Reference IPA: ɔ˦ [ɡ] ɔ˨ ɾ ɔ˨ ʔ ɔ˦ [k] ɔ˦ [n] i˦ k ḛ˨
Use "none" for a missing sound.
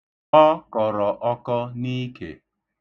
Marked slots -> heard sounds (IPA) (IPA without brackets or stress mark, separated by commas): k, k, n